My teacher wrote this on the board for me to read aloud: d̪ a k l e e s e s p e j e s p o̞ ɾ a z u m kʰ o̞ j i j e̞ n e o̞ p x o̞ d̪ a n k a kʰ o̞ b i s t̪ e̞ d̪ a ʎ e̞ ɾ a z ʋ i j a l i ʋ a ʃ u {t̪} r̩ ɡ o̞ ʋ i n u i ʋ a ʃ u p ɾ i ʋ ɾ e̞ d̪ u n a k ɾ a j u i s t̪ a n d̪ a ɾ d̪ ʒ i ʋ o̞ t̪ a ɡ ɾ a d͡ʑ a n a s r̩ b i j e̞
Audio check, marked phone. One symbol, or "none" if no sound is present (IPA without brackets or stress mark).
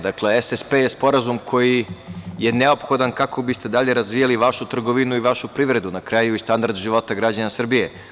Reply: t̪